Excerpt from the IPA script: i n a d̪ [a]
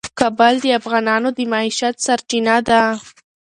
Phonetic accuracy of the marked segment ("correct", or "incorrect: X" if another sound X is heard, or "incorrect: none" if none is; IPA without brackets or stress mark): correct